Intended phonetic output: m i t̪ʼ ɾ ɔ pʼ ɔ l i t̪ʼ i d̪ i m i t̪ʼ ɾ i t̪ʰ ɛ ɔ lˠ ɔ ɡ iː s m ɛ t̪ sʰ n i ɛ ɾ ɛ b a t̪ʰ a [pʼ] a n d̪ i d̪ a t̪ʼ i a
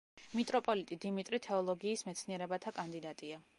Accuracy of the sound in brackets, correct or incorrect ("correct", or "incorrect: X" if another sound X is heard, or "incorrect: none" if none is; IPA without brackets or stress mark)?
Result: incorrect: kʼ